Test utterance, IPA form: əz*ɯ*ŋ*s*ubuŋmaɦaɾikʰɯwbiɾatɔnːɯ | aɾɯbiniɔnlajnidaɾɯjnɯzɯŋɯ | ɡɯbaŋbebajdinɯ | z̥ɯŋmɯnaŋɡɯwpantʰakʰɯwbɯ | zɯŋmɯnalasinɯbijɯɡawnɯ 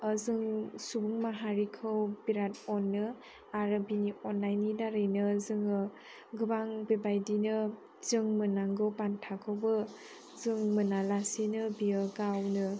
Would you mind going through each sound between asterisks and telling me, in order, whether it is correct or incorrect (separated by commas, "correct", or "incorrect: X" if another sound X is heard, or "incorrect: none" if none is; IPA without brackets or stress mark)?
correct, correct